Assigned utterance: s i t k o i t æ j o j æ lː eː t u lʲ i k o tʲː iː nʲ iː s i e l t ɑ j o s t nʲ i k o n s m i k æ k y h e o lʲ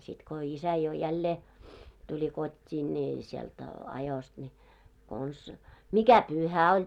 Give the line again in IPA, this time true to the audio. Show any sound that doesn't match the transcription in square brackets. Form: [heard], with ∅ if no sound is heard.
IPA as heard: s i t k o i [s] æ j o j æ lː eː t u lʲ i k o tʲː iː nʲ iː s i e l t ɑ j o s t nʲ i k o n s m i k æ [p] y h [æ] o lʲ

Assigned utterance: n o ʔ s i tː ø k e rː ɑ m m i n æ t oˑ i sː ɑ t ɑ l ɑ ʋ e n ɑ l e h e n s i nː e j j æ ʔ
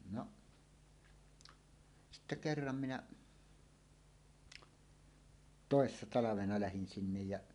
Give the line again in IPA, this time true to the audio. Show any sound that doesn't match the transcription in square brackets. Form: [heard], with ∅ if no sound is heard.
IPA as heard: n o ʔ s i tː [e] k e rː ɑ m m i n æ t oˑ [e] sː ɑ t ɑ l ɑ ʋ e n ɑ l [æ] h [i] n s i nː e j j æ ʔ

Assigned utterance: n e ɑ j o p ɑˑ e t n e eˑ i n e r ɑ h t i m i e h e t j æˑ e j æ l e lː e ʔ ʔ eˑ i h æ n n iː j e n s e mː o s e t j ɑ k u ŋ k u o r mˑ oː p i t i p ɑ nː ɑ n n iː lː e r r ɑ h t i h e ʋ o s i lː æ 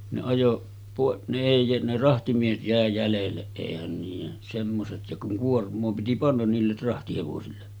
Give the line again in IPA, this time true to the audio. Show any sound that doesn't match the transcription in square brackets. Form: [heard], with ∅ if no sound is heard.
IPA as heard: n e ɑ j o p ɑˑ e [ʔ] n e eˑ i n e r ɑ h t i m i e h e t j æˑ e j æ l e lː e ʔ ʔ eˑ i h æ n n iː j e n s e mː o s e t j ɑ k u ŋ k u o r mˑ oː p i t i p ɑ nː ɑ n n iː lː e r r ɑ h t i h e ʋ o s i lː [e]

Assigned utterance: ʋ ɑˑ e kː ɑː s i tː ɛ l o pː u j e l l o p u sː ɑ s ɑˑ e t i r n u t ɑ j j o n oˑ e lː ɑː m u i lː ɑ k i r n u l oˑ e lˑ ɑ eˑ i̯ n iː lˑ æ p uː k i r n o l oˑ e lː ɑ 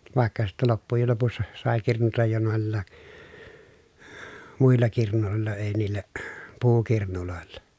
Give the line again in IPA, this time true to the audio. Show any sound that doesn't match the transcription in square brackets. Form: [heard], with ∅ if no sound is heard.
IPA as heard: ʋ ɑˑ e kː [ɑ] s i tː ɛ l o pː u j e l l o p u sː ɑ s ɑˑ e [k] i r n u t ɑ j j o n oˑ e lː ɑː m u i lː ɑ k i r n u l oˑ e lˑ ɑ eˑ i̯ n iː lˑ æ p uː k i r n [u] l oˑ e lː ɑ

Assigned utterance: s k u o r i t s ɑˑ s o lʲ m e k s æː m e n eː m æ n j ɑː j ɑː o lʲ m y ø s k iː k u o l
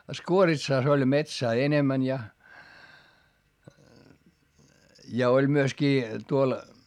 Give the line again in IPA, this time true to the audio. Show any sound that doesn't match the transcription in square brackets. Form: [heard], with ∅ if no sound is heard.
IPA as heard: s k u o r i t s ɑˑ s o lʲ m e [t] s æː [∅] e n [e] m æ n j [ɑ] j [ɑ] o lʲ m y ø s k iː [t] u o l

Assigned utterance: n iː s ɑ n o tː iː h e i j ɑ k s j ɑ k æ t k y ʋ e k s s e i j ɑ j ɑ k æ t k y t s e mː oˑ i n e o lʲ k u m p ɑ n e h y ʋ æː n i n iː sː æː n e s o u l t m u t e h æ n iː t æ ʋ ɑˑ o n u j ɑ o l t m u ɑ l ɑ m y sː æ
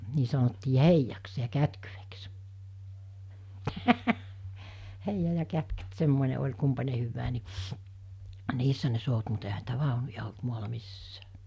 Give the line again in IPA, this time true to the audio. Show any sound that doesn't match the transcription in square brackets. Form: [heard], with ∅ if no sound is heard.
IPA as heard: n iː s ɑ n o tː iː h e i j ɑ k s j ɑ k æ t k y ʋ e k s [h] e i j ɑ j ɑ k æ t k y t s e mː oˑ i n e o lʲ k u m p ɑ n e h y [ʋː] æː n i n iː sː [æ] n e s o u [∅] t m u t e h æ n iː t æ ʋ ɑˑ o n u j ɑ o l t m u ɑ l ɑ m [i] sː [æː]

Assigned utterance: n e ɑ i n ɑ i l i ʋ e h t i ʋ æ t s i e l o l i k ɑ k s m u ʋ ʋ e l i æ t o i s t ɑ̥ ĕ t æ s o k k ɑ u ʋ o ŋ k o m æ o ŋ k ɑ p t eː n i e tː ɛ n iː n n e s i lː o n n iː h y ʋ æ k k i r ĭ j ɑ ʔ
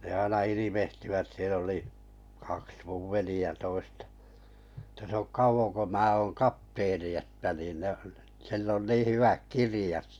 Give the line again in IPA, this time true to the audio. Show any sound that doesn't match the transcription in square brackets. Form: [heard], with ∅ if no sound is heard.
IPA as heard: n e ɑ i n ɑ i l i ʋ e h t i ʋ æ t s i e l o l i k ɑ k s m u ʋ ʋ e l i æ t o i s t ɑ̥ ĕ t æ s o k k ɑ u ʋ o ŋ k o m [æː] o ŋ k ɑ p t eː n i e tː [æ] n iː n n e s i lː o n n iː h y ʋ æ k k i r ĭ j ɑ [t]

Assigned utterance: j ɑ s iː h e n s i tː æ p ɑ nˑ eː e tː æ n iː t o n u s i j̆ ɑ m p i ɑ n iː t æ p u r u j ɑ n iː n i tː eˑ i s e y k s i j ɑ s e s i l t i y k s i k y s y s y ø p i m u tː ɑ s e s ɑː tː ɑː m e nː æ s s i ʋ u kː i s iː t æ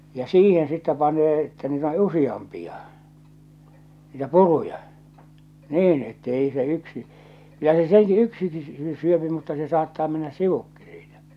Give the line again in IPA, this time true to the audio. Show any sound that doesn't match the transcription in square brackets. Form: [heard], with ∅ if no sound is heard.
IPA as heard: j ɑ s iː h e n s i tː æ p ɑ nˑ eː e tː æ n iː t o n u s i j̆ ɑ m p i ɑ n iː t æ p u r u j ɑ n iː n [e] tː eˑ i s e y k s i j ɑ s e s i l t i y k s i k [i] s y s y ø p i m u tː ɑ s e s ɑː tː ɑː m e nː æ s s i ʋ u kː i s iː t æ

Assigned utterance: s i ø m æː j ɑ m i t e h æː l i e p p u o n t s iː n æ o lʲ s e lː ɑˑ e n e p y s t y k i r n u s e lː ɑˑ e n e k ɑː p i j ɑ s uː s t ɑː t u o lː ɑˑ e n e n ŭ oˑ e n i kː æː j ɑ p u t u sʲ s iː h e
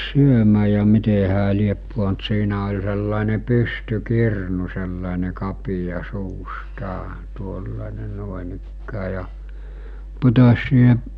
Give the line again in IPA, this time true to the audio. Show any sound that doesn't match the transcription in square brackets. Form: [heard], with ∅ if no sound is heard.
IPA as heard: s [y] ø m æː j ɑ m i t e h æː l i e p p u o n t s iː n æ o lʲ s e lː ɑˑ e n e p y s t y k i r n u s e lː ɑˑ e n e k [ɑ] p i j ɑ s uː s t ɑː t u o lː ɑˑ e n e n ŭ oˑ e n i kː æː j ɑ p u t [o] sʲ s iː h e

